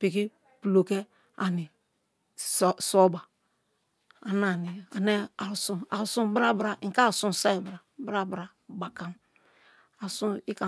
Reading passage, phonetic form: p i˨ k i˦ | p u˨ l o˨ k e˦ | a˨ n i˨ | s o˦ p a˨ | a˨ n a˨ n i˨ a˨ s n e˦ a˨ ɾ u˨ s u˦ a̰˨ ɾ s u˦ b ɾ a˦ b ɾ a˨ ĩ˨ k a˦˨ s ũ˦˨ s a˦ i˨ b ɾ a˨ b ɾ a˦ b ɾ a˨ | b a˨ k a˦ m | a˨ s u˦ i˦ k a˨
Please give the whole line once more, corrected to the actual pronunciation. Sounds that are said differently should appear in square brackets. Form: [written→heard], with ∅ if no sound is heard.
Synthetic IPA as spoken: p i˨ k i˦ | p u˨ l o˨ k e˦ | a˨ n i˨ | s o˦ [p→b] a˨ | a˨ n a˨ n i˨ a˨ [s→∅] n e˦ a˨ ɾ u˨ s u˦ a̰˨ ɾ s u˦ b ɾ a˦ b ɾ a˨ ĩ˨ k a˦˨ s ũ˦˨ s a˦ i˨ b ɾ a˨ b ɾ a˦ b ɾ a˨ | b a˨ k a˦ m | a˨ s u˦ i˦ k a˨

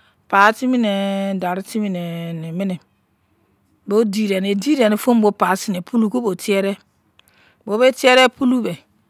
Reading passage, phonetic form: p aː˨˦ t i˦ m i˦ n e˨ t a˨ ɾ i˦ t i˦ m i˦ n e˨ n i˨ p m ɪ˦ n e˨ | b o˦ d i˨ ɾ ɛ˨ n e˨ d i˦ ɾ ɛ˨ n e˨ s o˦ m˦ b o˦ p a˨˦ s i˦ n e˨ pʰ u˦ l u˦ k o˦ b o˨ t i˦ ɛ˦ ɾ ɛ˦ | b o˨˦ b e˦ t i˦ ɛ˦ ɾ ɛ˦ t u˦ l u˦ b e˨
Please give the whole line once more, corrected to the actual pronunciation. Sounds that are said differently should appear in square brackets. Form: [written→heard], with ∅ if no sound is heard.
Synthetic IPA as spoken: p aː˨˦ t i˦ m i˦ n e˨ [t→d] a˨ ɾ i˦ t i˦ m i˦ n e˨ n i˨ [p→∅] m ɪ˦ n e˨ | b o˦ d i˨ ɾ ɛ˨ n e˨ d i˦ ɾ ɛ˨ n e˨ [s→f] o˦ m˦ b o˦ p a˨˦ s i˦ n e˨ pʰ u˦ l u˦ k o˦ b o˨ t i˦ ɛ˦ ɾ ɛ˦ | b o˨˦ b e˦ t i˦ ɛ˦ ɾ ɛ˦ [t→p] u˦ l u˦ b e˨

